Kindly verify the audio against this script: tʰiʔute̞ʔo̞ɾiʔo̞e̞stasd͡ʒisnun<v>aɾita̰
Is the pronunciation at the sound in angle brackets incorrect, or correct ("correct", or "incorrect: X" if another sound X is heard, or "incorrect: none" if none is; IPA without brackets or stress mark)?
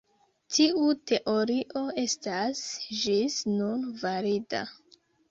correct